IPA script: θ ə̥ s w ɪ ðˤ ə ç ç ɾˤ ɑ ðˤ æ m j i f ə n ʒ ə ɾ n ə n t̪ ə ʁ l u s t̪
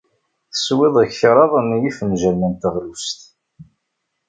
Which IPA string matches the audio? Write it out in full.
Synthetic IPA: θ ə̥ s w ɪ ðˤ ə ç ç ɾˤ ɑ ðˤ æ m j i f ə n ʒ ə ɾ m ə n t̪ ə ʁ l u s t̪

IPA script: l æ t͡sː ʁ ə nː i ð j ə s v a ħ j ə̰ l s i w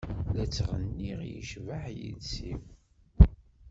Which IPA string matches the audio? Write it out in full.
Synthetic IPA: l æ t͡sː ʁ ə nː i ʁ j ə ʃ v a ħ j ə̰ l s i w

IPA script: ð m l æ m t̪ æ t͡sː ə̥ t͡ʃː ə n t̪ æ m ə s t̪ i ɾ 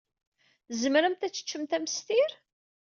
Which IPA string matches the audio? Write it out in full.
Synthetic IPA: z m ɾ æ m t̪ æ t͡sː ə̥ t͡ʃː ə m t̪ æ m ə s t̪ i ɾ

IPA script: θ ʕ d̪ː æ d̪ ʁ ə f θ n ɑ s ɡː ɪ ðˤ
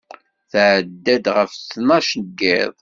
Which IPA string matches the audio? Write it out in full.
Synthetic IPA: θ ʕ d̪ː æ d̪ ʁ ə f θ n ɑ ʃ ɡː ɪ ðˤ

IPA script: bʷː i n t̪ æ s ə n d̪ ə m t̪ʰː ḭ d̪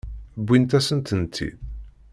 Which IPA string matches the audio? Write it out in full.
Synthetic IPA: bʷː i n t̪ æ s ə n t̪ ə n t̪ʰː ḭ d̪

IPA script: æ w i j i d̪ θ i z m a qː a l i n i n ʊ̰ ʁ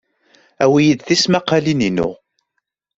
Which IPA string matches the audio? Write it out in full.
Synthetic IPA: æ w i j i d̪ θ i s m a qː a l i n i n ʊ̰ ʁ

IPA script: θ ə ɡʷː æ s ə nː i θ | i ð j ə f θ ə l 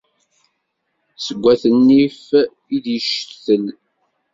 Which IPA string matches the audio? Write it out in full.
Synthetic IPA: s ə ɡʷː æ θ ə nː i f | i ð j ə ʃ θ ə l

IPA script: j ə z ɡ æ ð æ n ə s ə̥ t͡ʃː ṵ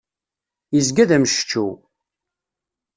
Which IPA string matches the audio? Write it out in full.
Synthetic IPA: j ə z ɡ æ ð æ m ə ʃ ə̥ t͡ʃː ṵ

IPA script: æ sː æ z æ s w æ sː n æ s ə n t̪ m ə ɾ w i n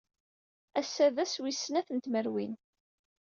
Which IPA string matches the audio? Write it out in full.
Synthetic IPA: æ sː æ ð æ s w i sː n æ θ ə n t̪ m ə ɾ w i n

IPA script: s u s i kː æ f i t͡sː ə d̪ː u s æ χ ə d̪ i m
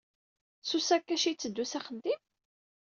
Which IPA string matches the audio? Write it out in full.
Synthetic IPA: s u s æ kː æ ʃ i t͡sː ə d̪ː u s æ χ ə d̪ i m

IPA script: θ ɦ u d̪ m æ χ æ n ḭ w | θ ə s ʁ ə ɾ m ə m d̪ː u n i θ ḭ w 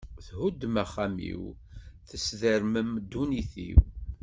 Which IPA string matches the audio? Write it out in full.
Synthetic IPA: θ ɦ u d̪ m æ χ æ m ḭ w | θ ə s ð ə ɾ m ə m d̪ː u n i θ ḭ w

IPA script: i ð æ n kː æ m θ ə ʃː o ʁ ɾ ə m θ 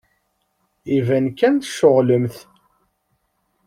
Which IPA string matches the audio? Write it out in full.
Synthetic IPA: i v æ n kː æ n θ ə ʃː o ʁ l ə m θ

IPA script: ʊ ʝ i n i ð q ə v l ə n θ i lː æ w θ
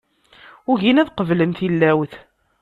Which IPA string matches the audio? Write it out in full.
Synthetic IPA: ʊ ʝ i n æ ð q ə v l ə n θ i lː æ w θ

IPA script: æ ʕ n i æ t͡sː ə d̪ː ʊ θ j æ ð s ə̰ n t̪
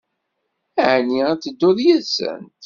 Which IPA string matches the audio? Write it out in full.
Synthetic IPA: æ ʕ n i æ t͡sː ə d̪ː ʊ ð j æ ð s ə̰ n t̪

